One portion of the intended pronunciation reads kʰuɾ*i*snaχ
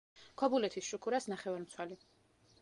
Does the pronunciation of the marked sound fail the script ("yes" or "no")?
yes